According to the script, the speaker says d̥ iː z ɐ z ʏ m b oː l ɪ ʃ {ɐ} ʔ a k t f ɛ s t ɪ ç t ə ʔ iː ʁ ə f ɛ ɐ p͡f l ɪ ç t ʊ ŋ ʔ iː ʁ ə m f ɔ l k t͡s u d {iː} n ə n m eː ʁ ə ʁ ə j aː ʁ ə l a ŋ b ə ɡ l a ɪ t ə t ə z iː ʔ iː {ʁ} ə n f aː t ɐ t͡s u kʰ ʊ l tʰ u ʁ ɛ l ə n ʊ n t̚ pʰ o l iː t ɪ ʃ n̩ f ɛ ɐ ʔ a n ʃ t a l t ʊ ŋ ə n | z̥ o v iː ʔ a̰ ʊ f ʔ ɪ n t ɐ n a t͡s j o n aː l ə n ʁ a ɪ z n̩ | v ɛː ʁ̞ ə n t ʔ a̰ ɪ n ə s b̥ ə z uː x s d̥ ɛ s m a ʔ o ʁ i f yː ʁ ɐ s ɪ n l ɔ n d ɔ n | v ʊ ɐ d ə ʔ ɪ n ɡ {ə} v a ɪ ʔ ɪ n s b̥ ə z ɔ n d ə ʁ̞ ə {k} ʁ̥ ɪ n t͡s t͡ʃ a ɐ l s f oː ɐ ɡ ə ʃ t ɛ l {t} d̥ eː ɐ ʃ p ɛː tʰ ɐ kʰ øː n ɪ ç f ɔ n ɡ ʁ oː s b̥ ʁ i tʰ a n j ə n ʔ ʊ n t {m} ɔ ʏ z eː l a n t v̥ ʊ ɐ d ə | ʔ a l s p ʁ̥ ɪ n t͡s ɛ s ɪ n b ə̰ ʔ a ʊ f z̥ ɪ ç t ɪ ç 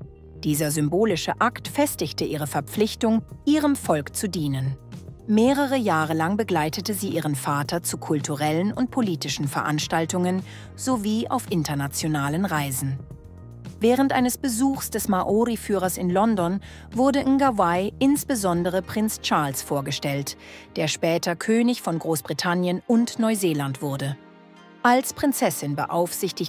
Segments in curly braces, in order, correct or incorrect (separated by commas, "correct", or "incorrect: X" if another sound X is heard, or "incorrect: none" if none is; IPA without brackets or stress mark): incorrect: ə, correct, correct, incorrect: a, incorrect: p, correct, incorrect: n